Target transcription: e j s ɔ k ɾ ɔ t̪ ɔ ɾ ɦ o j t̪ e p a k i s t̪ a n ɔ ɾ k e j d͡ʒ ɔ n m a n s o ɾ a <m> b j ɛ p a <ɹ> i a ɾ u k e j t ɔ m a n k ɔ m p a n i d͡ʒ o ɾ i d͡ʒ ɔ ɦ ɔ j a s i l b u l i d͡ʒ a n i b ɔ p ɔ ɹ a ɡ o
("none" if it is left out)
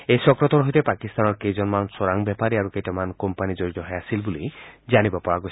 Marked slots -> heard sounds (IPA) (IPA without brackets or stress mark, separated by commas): ŋ, ɾ